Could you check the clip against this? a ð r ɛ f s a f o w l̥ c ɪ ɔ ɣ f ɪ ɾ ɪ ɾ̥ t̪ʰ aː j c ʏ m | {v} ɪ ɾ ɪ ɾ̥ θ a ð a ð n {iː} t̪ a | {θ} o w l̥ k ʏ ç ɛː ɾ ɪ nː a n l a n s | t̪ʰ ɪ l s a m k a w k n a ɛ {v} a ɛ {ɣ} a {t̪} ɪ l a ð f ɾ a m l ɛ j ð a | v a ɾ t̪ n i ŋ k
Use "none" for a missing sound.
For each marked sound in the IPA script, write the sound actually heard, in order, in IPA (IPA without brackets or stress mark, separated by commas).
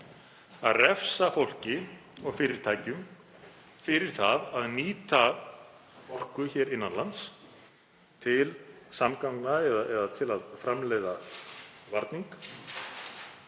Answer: f, iː, f, ð, ð, t̪ʰ